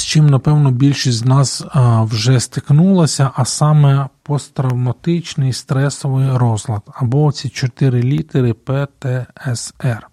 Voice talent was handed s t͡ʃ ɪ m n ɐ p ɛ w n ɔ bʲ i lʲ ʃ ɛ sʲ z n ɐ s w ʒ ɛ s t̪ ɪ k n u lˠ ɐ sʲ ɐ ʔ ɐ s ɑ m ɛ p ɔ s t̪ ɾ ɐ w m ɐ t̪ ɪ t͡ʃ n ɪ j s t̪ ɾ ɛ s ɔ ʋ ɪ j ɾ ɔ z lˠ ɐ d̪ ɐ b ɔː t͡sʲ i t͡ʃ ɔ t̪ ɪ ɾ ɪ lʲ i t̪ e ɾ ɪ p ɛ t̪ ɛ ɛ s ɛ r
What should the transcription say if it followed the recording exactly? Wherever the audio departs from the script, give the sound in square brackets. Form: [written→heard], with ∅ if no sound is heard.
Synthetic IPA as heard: s t͡ʃ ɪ m n ɐ p ɛ w n ɔ bʲ i lʲ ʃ [ɛ→i] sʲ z n [ɐ→ɑ] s w ʒ ɛ s t̪ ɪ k n u lˠ ɐ sʲ ɐ ʔ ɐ s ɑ m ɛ p ɔ s t̪ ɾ ɐ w m ɐ t̪ ɪ t͡ʃ n ɪ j s t̪ ɾ ɛ s ɔ ʋ ɪ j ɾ ɔ z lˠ ɐ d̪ ɐ b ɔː t͡sʲ i t͡ʃ ɔ t̪ ɪ ɾ ɪ lʲ i t̪ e ɾ ɪ p ɛ t̪ ɛ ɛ s ɛ r